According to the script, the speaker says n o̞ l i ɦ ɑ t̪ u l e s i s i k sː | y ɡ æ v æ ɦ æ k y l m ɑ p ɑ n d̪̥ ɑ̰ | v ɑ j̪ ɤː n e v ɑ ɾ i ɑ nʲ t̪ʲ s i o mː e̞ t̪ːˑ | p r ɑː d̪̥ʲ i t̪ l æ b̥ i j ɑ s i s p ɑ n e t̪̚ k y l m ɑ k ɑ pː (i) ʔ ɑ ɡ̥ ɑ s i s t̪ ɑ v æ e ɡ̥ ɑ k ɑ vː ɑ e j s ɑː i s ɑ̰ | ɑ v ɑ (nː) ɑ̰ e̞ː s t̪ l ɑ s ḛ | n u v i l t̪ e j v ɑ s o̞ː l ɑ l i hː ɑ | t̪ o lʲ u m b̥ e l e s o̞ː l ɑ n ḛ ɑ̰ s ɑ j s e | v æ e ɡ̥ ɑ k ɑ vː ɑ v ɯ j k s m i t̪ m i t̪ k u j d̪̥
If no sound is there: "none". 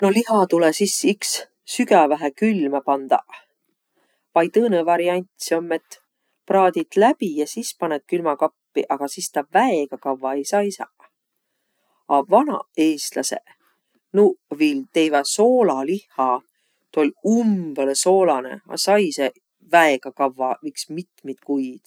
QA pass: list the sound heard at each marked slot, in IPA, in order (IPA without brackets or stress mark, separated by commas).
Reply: i, n